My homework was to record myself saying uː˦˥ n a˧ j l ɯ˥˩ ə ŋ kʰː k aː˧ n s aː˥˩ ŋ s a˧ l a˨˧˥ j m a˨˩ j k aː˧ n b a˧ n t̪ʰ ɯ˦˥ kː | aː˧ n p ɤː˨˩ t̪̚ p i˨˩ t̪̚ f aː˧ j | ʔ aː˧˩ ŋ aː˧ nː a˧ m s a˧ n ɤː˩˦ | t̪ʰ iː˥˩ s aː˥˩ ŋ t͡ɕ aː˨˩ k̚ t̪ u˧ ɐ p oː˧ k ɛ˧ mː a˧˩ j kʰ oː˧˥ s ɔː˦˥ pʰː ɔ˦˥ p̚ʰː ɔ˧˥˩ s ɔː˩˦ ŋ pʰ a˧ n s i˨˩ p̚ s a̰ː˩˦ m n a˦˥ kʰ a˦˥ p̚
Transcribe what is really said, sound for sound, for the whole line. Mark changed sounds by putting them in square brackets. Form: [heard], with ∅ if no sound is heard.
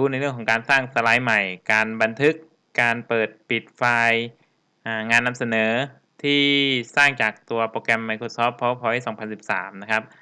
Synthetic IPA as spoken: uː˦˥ n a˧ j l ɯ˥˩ ə ŋ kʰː k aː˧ n s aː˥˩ ŋ s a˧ l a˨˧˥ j m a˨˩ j k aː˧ n b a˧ n t̪ʰ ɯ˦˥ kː | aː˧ n p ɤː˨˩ t̪̚ p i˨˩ t̪̚ f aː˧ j | ʔ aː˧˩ ŋ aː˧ nː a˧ m s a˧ n ɤː˩˦ | t̪ʰ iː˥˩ s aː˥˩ ŋ t͡ɕ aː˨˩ k̚ t̪ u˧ ɐ p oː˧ k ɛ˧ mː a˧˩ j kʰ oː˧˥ s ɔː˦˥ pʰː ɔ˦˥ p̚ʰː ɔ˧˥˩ s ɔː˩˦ ŋ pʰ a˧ n s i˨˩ p̚ s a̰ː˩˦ m n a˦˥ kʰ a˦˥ p̚